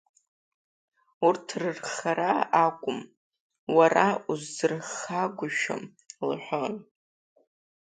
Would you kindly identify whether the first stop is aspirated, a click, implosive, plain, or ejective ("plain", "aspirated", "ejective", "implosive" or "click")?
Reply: aspirated